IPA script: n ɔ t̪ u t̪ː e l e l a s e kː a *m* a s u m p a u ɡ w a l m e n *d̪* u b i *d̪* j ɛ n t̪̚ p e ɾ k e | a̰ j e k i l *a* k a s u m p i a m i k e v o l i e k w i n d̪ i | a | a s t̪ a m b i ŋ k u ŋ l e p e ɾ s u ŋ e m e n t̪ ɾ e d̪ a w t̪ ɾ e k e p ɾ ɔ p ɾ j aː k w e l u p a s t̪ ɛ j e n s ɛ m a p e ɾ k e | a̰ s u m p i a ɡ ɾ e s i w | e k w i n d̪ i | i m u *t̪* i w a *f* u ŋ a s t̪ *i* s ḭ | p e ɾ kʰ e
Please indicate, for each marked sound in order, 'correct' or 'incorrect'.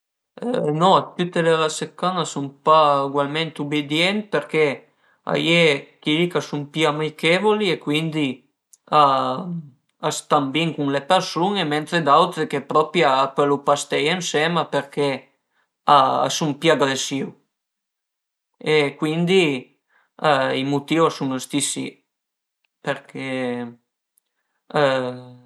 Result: incorrect: n, incorrect: t̪, correct, incorrect: i, correct, incorrect: s, correct

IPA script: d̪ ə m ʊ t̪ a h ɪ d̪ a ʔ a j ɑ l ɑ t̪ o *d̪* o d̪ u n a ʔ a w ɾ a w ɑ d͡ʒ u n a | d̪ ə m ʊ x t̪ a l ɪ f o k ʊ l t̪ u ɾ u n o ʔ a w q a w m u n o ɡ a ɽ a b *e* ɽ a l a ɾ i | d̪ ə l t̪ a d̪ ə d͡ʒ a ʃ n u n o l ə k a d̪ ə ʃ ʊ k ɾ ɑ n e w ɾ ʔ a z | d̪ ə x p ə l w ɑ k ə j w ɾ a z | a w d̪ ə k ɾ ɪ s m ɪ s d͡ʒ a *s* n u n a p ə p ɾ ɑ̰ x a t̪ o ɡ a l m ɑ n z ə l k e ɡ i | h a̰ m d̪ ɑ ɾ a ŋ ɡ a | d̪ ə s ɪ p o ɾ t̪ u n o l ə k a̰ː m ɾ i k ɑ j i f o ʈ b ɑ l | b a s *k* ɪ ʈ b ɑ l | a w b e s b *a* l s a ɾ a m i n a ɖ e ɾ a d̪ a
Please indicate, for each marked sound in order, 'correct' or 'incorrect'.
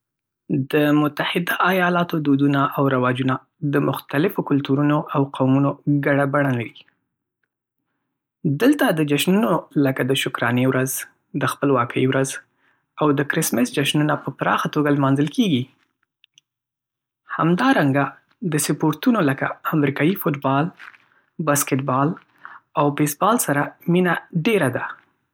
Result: correct, incorrect: a, incorrect: ʃ, correct, incorrect: ɑ

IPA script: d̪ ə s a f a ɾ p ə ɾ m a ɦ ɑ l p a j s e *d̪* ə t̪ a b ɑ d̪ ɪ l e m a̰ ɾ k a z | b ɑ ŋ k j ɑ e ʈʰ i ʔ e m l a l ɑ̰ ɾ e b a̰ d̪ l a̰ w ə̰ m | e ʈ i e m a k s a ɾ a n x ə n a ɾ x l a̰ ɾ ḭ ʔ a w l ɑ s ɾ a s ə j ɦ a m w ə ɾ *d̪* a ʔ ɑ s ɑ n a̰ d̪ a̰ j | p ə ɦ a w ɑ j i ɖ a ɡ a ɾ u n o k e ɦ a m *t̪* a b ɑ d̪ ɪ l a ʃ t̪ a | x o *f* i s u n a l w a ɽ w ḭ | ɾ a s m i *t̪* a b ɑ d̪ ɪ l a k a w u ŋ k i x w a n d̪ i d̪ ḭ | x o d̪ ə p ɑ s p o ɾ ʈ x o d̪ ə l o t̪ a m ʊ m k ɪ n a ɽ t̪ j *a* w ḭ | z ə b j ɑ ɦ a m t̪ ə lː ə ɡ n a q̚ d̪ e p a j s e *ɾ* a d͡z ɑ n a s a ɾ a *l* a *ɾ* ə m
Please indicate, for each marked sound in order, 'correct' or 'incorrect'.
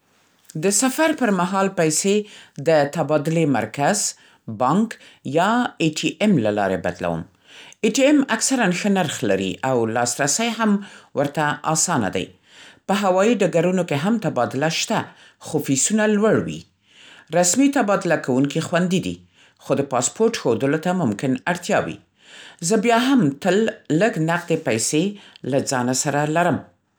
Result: correct, incorrect: t̪, correct, correct, correct, incorrect: ɑ, incorrect: l, correct, correct

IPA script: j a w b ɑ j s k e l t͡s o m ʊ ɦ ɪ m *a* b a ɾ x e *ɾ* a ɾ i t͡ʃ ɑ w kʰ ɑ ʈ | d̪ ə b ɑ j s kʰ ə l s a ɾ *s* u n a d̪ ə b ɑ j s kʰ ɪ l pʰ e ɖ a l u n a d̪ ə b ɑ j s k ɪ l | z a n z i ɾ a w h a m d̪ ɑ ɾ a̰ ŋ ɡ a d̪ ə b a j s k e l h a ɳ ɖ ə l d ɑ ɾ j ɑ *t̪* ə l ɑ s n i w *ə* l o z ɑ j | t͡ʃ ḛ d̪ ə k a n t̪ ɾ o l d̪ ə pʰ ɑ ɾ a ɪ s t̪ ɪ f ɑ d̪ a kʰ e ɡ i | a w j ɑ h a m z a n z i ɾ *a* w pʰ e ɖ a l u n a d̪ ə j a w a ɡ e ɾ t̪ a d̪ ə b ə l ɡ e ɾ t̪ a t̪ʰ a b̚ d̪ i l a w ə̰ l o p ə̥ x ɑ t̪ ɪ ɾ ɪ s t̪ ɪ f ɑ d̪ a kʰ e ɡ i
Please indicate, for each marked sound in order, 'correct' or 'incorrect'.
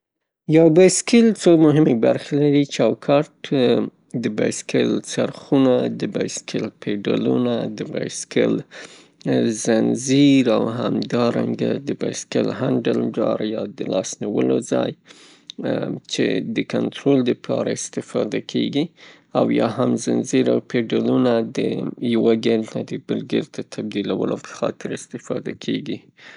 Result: incorrect: e, incorrect: l, incorrect: x, incorrect: d̪, correct, correct

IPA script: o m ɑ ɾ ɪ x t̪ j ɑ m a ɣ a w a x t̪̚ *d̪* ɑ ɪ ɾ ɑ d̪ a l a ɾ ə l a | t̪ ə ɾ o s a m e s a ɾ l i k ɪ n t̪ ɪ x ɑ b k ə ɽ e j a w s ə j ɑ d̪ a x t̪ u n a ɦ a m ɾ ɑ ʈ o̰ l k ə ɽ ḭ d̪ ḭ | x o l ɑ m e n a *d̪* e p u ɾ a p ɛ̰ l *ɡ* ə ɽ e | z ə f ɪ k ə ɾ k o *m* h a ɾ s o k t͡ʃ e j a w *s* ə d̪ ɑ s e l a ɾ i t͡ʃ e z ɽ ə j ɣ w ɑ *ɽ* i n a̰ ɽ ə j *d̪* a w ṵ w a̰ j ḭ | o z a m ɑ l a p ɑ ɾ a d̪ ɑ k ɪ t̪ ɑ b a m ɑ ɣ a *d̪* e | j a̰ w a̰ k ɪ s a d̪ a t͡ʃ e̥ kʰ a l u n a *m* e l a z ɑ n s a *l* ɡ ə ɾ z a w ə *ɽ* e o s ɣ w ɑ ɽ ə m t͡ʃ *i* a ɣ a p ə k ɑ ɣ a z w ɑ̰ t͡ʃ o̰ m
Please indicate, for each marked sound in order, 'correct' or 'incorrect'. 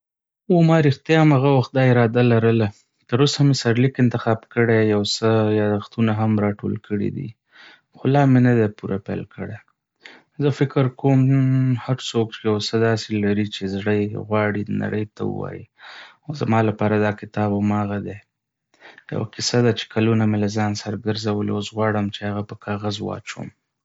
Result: correct, correct, incorrect: k, correct, correct, correct, incorrect: t̪, correct, correct, incorrect: ɾ, incorrect: l, incorrect: e

